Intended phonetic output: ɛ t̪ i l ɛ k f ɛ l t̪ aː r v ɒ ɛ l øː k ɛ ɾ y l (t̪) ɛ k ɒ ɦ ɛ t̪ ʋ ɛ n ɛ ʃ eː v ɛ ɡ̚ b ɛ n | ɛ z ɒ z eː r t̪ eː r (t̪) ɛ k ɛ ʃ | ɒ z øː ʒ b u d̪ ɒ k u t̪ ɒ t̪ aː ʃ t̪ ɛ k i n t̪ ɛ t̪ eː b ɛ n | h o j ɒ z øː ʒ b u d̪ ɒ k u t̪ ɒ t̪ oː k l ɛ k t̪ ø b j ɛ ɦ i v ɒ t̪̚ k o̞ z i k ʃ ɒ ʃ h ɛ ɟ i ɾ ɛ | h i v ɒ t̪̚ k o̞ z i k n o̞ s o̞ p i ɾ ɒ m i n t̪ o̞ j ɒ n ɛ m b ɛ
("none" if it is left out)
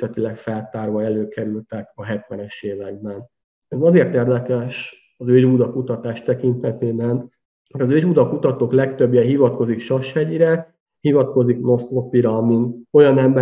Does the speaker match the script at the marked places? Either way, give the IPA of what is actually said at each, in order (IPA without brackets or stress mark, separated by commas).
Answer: t̪, d̪